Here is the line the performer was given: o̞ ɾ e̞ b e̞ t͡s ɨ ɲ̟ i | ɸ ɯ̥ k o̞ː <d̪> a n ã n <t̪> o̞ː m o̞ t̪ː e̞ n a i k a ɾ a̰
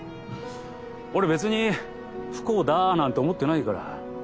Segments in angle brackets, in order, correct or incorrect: correct, correct

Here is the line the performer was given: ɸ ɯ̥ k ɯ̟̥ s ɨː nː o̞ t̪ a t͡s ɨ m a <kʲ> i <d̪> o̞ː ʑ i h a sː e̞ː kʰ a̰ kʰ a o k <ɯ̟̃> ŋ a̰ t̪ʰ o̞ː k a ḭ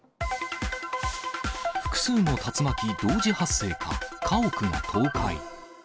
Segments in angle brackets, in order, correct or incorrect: correct, correct, incorrect: ɯ̟

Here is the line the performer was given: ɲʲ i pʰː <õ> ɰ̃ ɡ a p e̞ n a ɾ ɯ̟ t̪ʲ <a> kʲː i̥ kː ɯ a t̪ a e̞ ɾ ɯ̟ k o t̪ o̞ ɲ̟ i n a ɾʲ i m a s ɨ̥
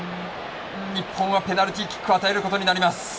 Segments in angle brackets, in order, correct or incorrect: correct, incorrect: i

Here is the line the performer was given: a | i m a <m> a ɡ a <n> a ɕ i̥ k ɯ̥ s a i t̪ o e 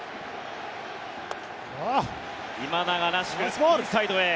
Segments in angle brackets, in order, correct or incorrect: incorrect: n, correct

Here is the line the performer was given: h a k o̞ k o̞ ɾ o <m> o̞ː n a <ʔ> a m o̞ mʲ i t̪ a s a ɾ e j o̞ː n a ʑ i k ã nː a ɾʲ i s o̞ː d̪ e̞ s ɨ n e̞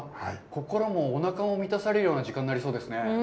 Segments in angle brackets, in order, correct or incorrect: correct, incorrect: k

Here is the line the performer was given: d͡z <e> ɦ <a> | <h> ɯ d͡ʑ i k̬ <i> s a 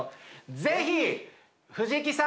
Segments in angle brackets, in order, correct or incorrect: correct, incorrect: i, correct, correct

